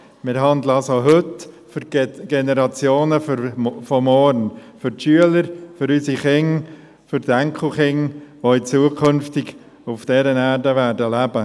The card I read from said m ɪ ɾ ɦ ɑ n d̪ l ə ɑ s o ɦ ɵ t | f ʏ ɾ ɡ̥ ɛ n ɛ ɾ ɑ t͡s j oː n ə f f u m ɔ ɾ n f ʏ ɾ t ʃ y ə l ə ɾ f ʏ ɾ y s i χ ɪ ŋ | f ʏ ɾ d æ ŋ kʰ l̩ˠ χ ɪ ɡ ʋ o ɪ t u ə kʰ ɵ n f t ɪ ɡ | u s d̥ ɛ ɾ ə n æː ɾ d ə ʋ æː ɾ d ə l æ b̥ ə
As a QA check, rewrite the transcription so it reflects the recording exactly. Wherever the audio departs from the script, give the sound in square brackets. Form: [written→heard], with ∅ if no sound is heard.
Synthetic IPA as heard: m ɪ ɾ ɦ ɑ n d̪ l ə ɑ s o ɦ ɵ t | f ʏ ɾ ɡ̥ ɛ n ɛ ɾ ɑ t͡s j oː n ə f f [u→ɔ] m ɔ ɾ n f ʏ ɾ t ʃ y ə l ə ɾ f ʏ ɾ y s i χ ɪ ŋ | f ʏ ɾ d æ ŋ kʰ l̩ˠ χ ɪ [ɡ→ŋ] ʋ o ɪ [t→t͡s] u ə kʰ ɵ n f t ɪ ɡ | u [s→f] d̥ ɛ ɾ ə n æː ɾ d ə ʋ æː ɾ d ə l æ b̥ ə